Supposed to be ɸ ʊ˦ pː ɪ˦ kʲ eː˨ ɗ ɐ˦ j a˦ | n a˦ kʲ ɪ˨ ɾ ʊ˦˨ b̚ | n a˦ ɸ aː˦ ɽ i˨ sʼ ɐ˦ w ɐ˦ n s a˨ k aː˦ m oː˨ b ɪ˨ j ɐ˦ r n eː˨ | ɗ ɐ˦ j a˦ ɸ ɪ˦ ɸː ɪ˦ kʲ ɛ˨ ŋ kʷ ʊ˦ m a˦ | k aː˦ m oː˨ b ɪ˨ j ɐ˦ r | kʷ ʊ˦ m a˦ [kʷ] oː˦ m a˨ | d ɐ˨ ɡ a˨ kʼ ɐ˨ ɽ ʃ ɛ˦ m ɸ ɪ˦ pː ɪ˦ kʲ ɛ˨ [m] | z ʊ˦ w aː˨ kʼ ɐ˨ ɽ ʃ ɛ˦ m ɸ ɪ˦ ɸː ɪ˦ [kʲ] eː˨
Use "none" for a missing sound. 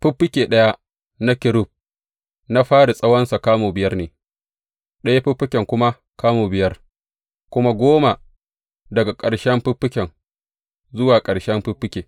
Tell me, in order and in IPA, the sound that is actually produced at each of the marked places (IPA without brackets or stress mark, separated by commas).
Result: ɡʷ, ŋ, kʲ